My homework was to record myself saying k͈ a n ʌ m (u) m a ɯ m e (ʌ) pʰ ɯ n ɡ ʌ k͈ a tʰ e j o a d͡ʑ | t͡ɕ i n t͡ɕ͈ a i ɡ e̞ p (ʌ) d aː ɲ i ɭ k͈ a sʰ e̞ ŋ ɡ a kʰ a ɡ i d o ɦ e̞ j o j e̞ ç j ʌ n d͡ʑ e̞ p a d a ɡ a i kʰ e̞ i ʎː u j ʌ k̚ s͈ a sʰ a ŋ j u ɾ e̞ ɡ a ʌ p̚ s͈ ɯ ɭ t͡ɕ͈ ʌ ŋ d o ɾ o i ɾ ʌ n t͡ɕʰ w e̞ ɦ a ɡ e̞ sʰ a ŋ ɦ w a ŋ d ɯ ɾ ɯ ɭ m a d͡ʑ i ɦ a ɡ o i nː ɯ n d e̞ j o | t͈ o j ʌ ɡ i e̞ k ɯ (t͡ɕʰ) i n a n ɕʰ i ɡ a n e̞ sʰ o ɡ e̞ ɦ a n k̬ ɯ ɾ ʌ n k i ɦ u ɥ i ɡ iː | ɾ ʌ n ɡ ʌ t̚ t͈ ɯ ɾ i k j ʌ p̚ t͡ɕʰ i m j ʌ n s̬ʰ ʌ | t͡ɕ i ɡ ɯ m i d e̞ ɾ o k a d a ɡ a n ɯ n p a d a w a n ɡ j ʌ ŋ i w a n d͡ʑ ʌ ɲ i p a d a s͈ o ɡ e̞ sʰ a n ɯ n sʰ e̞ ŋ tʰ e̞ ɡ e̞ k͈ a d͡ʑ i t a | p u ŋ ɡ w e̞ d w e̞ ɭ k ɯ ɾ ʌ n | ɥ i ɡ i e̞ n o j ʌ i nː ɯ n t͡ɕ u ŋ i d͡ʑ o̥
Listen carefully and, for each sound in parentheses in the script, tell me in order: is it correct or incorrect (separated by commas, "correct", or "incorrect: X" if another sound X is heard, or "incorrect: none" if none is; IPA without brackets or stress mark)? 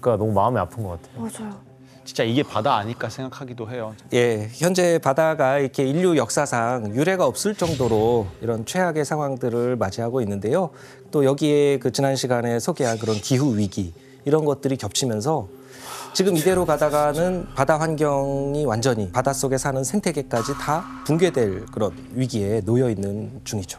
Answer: correct, incorrect: a, incorrect: a, incorrect: t͡ɕ